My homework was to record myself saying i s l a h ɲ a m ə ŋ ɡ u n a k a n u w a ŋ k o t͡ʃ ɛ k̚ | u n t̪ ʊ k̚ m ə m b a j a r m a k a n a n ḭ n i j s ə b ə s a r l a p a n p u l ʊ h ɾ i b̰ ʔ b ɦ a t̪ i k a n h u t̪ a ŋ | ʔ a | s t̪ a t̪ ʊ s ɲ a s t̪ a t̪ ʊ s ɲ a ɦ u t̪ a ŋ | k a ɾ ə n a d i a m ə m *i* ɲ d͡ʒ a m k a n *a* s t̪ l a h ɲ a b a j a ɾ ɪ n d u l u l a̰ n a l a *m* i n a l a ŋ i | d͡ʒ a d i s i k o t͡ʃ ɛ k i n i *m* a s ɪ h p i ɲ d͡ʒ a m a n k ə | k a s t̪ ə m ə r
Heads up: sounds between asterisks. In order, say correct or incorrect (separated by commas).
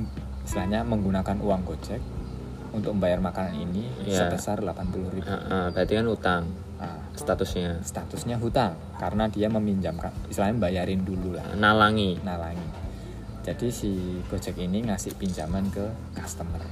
correct, incorrect, incorrect, incorrect